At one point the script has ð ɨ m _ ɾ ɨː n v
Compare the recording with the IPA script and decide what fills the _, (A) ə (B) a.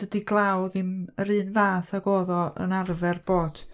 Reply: A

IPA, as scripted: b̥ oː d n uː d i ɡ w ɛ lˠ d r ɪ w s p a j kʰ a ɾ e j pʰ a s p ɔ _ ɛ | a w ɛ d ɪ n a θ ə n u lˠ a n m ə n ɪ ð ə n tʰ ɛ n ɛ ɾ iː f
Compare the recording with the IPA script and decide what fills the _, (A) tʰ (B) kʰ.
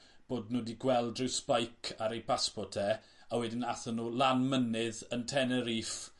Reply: A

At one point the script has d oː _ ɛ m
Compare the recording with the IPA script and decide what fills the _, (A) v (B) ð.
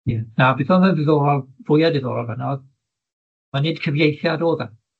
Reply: B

